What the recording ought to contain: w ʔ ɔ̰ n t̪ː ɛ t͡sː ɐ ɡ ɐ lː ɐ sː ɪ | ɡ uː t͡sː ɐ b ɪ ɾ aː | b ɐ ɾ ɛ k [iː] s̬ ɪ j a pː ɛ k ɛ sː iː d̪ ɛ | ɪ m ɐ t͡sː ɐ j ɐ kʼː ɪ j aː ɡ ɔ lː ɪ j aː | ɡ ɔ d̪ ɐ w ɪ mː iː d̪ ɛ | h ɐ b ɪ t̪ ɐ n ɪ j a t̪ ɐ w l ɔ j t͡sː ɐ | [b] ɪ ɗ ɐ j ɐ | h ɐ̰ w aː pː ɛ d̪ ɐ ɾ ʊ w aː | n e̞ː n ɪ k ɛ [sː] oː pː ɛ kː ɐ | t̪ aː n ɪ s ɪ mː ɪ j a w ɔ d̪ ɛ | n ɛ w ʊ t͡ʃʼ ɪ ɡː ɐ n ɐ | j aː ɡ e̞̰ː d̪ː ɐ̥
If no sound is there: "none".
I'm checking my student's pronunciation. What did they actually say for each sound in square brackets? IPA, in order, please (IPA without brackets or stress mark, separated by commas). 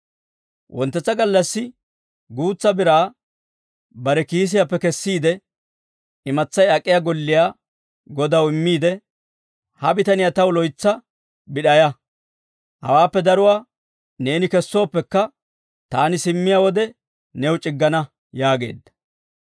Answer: iː, b, sː